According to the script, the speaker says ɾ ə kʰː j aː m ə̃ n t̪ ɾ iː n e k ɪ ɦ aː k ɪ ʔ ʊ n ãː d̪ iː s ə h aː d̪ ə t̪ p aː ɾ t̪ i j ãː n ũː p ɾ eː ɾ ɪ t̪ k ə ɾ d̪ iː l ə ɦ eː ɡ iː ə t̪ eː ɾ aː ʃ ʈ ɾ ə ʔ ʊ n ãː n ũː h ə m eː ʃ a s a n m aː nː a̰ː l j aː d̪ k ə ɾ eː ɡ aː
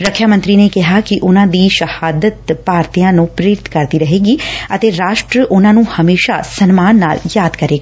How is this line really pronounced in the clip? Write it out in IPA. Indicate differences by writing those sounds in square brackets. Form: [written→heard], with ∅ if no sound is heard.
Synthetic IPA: ɾ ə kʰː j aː m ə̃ n t̪ ɾ iː n e k ɪ ɦ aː k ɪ ʔ ʊ n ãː d̪ iː [s→ʃ] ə h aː d̪ ə t̪ p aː ɾ t̪ i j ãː n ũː p ɾ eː ɾ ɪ t̪ k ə ɾ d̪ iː [l→ɾ] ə ɦ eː ɡ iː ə t̪ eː ɾ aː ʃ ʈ ɾ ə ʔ ʊ n ãː n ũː h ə m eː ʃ a s [a→ə] n m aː nː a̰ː l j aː d̪ k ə ɾ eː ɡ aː